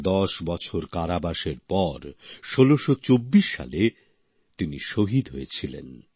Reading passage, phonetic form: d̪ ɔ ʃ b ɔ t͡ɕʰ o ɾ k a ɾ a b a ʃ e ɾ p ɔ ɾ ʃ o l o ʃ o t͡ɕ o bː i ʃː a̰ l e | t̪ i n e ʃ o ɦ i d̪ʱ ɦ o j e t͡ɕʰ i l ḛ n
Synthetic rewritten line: d̪ ɔ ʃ b ɔ t͡ɕʰ o ɾ k a ɾ a b a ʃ e ɾ p ɔ ɾ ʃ o l o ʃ o t͡ɕ o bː i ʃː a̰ l e | t̪ i n i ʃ o ɦ i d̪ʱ ɦ o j e t͡ɕʰ i l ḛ n

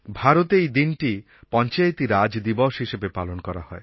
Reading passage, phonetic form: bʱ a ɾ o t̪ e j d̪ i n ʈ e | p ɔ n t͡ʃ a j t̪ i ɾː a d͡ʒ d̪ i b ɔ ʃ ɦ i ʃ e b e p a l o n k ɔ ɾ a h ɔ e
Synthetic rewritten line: bʱ a ɾ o t̪ e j d̪ i n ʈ i | p ɔ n t͡ʃ a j t̪ i ɾ a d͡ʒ d̪ i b ɔ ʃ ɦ i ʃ e b e p a l o n k ɔ ɾ a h ɔ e

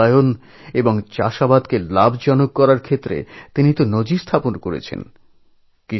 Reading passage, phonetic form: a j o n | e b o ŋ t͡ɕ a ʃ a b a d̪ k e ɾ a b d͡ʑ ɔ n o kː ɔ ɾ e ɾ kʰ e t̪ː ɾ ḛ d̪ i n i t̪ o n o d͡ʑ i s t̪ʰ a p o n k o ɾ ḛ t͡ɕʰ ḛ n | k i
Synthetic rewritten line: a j o n | e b o ŋ t͡ɕ a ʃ a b a d̪ k e l a b d͡ʑ ɔ n o kː ɔ ɾ a ɾ kʰ e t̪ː ɾ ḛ t̪ i n i t̪ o n o d͡ʑ i s t̪ʰ a p o n k o ɾ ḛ t͡ɕʰ ḛ n | k i

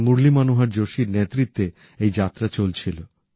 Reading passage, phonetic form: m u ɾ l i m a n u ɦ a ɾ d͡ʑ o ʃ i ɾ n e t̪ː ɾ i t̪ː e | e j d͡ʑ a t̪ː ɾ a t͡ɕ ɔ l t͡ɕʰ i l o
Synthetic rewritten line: m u ɾ l i m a n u ɦ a ɾ d͡ʑ o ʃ i ɾ n e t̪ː ɾ i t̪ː e | e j d͡ʑ a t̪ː ɾ a t͡ɕ o l t͡ɕʰ i l o

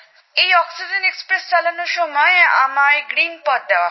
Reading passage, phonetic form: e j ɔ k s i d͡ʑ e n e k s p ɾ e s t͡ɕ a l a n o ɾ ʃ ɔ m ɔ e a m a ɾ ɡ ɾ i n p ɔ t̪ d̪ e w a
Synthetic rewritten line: e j ɔ k s i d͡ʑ e n e k s p ɾ e s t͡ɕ a l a n o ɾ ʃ ɔ m ɔ e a m a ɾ ɡ ɾ i n p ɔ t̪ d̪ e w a

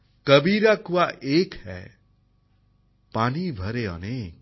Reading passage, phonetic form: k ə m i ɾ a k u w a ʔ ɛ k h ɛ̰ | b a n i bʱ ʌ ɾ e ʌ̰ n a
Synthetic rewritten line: k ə b i ɾ a k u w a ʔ e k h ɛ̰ | p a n i bʱ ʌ ɾ e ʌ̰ n e

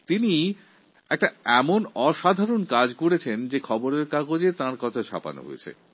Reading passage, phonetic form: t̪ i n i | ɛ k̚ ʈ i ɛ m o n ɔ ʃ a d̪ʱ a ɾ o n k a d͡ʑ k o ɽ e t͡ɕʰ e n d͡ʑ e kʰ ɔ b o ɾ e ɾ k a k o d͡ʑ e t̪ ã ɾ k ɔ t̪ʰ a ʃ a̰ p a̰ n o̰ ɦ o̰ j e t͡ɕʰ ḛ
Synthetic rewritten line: t̪ i n i | ɛ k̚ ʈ a ɛ m o n ɔ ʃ a d̪ʱ a ɾ o n k a d͡ʑ k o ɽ e t͡ɕʰ e n d͡ʑ e kʰ ɔ b o ɾ e ɾ k a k o d͡ʑ e t̪ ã ɾ k ɔ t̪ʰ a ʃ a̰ p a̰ n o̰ ɦ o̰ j e t͡ɕʰ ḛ

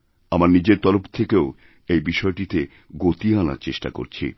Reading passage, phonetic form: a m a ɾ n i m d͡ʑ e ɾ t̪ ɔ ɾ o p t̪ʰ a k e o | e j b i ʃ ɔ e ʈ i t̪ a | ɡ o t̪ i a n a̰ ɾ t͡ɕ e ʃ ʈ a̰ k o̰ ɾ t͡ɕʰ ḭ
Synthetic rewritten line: a m a ɾ n i d͡ʑ e ɾ t̪ ɔ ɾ o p t̪ʰ e k e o | e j b i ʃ ɔ e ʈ i t̪ e | ɡ o t̪ i a n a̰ ɾ t͡ɕ e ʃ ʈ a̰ k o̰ ɾ t͡ɕʰ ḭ

